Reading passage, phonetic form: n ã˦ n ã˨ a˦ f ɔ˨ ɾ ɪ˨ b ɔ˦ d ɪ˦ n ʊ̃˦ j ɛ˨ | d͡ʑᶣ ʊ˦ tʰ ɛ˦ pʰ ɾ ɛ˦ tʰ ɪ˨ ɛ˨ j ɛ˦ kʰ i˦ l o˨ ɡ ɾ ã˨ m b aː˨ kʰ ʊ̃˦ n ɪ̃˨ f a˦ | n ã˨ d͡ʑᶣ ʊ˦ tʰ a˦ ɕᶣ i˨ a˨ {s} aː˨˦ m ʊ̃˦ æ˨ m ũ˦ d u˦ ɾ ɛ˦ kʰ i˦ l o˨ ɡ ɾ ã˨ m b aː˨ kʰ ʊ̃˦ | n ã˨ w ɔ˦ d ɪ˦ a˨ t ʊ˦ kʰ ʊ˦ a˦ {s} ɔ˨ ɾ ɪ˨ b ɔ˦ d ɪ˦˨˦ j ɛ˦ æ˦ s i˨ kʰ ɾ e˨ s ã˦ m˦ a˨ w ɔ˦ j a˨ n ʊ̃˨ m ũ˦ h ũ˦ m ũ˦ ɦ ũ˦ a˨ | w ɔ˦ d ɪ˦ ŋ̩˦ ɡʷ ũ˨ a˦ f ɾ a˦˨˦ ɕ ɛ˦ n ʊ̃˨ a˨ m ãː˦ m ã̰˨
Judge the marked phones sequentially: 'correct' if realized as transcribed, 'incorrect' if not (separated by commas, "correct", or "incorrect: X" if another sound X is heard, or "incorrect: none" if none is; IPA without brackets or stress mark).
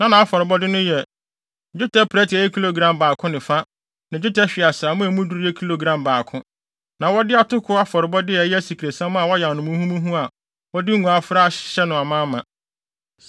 correct, incorrect: f